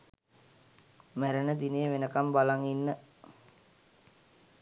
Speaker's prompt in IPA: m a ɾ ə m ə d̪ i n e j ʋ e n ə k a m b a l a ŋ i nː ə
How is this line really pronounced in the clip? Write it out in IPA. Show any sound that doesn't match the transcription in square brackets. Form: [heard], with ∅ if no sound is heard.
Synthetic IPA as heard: m [æ] ɾ ə [n] ə d̪ i n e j ʋ e n ə k a m b a l a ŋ i nː ə

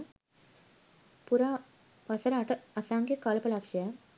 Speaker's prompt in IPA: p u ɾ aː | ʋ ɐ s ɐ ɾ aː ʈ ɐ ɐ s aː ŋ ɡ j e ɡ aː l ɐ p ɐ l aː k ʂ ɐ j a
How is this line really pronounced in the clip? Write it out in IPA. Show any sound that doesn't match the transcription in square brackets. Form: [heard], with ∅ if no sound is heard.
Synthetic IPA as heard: p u ɾ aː | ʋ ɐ s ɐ ɾ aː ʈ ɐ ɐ s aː ŋ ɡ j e [k] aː l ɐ p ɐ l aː k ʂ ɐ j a

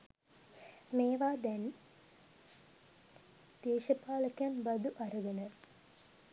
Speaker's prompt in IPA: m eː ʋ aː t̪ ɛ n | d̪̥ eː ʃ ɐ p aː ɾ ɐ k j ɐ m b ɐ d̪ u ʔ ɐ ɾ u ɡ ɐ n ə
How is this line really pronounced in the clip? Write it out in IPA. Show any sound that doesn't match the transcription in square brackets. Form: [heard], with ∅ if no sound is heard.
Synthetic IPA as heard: m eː ʋ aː [d̪] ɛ n | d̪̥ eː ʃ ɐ p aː [l] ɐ k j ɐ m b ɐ d̪ u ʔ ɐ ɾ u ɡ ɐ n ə

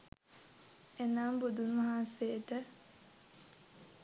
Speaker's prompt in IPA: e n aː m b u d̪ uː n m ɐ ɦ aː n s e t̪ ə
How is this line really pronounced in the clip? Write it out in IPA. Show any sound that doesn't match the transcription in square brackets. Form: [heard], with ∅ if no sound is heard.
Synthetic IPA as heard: e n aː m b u d̪ [u] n m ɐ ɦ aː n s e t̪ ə

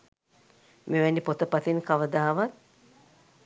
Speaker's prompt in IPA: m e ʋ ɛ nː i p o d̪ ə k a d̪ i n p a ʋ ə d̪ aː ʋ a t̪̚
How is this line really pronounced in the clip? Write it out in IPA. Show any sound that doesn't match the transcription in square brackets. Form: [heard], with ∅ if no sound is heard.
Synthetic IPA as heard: m e ʋ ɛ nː i p o [t̪] ə [p] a [t̪] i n [k] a ʋ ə d̪ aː ʋ a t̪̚

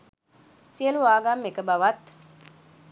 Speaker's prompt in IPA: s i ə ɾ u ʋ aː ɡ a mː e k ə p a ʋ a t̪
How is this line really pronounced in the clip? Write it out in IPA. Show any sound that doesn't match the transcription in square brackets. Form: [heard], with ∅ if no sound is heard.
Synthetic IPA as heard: s i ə [l] u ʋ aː ɡ a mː e k ə [b] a ʋ a t̪

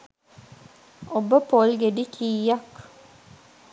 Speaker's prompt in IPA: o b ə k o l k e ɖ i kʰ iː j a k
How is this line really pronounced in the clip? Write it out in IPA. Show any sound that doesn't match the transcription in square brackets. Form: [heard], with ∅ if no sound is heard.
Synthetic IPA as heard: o b ə [p] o l [ɡ] e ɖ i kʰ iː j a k

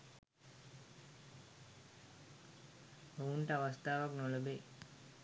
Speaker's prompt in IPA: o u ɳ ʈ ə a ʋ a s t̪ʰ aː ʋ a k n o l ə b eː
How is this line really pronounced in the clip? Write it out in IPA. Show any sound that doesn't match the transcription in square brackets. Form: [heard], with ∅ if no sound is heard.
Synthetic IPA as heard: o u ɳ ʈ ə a ʋ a s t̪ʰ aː ʋ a k n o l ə b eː

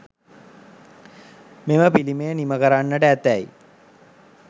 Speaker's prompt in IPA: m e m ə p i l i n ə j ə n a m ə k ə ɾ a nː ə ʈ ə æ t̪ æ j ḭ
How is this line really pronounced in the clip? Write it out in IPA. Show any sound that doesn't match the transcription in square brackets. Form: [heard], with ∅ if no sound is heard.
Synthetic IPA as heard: m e m ə p i l i [m] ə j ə n [i] m ə k ə ɾ a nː ə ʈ ə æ t̪ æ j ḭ

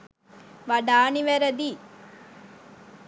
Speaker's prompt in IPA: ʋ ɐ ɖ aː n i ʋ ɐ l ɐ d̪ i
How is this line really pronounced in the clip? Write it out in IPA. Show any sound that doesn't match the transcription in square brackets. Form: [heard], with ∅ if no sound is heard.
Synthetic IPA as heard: ʋ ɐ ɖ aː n i ʋ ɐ [ɾ] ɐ d̪ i

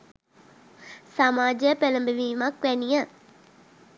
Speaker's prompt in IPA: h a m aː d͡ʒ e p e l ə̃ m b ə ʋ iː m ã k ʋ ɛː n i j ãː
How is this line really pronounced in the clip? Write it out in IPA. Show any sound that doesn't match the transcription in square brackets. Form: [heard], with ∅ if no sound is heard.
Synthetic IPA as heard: [s] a m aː d͡ʒ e p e l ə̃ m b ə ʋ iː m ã k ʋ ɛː n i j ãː

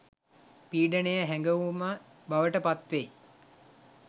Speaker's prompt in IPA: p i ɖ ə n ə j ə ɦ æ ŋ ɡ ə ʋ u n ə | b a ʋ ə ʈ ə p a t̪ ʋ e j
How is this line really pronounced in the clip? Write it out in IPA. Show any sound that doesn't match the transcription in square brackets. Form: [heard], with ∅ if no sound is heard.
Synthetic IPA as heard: p [iː] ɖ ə n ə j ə ɦ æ ŋ ɡ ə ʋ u [m] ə | b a ʋ ə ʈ ə p a t̪ ʋ e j

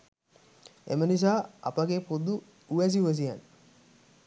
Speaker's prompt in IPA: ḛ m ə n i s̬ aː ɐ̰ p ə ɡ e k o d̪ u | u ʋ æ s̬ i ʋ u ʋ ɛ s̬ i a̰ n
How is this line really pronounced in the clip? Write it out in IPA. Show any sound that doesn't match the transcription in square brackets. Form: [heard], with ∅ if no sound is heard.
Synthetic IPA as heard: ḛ m ə n i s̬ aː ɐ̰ p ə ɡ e [p] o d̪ u | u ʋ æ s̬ i [∅] u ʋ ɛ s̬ i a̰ n

